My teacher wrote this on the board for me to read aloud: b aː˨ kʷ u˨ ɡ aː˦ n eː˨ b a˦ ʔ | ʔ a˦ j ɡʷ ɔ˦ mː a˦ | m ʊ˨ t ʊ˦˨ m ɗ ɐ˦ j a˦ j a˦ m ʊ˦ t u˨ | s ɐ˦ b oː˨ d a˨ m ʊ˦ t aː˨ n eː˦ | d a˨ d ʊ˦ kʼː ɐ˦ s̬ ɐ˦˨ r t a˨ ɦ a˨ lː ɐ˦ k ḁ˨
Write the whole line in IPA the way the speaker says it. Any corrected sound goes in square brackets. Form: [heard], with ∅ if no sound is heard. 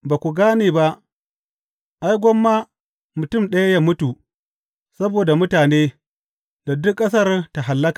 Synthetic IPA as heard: b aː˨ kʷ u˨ ɡ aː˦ n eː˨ b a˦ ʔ | ʔ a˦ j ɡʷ ɔ˦ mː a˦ | m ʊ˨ t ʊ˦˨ m ɗ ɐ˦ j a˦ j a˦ m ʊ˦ t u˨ | s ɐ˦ b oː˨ d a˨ m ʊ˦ t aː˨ n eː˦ | d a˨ d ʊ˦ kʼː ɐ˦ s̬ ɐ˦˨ r t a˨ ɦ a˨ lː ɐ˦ k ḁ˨